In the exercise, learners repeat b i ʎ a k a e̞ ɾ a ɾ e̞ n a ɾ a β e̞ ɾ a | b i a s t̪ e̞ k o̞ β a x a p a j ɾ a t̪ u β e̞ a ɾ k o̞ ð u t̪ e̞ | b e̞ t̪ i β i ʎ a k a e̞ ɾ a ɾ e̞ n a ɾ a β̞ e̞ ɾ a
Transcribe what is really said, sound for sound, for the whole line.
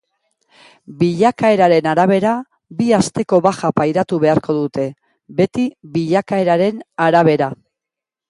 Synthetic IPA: b i ʎ a k a e̞ ɾ a ɾ e̞ n a ɾ a β e̞ ɾ a | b i a s t̪ e̞ k o̞ β a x a p a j ɾ a t̪ u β e̞ a ɾ k o̞ ð u t̪ e̞ | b e̞ t̪ i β i ʎ a k a e̞ ɾ a ɾ e̞ n a ɾ a β̞ e̞ ɾ a